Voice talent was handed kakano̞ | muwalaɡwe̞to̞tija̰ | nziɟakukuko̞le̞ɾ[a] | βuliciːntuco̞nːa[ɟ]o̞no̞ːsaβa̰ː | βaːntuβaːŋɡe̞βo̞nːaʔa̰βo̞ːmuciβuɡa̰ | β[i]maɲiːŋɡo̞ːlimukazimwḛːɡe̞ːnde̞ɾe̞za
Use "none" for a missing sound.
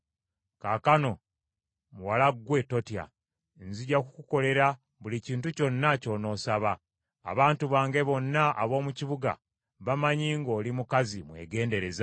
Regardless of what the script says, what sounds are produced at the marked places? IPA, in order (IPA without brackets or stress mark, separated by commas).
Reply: a, c, a